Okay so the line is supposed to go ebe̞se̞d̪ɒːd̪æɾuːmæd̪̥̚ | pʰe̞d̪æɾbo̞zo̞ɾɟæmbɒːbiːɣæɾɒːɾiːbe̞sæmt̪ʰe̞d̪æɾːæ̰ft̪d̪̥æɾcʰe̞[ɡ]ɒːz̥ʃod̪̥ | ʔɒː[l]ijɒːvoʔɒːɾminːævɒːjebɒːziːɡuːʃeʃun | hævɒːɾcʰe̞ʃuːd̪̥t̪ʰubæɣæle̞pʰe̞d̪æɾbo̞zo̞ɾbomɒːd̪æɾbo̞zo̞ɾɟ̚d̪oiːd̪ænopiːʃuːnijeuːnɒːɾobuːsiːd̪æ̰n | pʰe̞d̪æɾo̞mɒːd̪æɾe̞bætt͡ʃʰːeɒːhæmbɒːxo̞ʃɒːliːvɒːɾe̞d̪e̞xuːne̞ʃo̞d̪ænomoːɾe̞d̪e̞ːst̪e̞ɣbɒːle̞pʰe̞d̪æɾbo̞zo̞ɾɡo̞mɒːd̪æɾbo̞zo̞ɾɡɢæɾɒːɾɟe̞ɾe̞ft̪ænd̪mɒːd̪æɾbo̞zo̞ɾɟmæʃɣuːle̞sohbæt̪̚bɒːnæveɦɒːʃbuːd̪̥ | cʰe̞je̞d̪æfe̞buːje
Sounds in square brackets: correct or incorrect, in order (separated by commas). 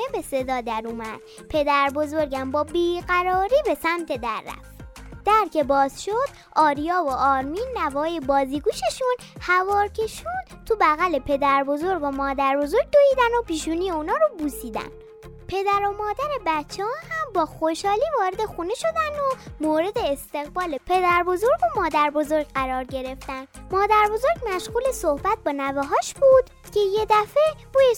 incorrect, incorrect